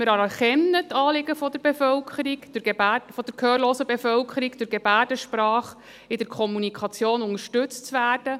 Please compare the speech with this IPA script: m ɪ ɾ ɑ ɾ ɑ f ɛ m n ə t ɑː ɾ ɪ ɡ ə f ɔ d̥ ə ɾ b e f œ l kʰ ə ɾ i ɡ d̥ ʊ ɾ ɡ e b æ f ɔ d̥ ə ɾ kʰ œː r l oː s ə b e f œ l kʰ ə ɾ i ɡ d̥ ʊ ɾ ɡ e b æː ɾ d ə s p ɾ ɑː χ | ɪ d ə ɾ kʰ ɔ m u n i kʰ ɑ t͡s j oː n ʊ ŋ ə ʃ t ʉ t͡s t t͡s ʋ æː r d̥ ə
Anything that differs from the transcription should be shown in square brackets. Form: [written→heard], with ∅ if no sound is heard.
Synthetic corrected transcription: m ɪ ɾ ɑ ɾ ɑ [f→χ] ɛ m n ə t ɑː [ɾ→l] ɪ ɡ ə f ɔ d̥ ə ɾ b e f œ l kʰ ə ɾ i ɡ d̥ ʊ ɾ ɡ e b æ f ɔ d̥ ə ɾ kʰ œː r l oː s ə b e f œ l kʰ ə ɾ i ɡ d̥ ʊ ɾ ɡ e b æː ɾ d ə [s→ʃ] p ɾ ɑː χ | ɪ d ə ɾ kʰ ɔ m u n i kʰ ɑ t͡s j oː n ʊ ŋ ə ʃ t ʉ t͡s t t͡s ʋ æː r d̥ ə